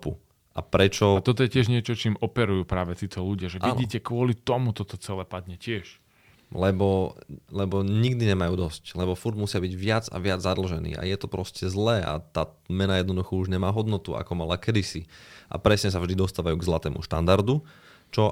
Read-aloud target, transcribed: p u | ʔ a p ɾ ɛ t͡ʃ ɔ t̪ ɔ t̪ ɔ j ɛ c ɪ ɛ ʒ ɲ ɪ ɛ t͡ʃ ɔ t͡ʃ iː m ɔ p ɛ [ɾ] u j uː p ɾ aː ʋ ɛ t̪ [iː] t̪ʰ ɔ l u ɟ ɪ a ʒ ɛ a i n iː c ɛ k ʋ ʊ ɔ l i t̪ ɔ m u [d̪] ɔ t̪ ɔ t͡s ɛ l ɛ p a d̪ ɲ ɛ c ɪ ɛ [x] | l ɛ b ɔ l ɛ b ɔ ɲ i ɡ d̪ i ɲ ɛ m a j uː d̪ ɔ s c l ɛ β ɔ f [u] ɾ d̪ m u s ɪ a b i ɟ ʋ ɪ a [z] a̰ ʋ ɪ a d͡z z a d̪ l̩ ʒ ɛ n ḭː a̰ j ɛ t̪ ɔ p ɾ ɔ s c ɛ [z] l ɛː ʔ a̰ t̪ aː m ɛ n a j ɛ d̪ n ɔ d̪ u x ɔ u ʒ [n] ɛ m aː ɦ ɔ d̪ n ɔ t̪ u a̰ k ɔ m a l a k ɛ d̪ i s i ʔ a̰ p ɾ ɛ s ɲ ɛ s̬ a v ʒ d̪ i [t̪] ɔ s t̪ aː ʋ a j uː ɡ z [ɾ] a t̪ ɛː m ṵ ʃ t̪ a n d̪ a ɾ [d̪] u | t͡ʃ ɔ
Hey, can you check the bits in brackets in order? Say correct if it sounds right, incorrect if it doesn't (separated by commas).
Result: correct, correct, incorrect, incorrect, correct, incorrect, correct, incorrect, incorrect, incorrect, correct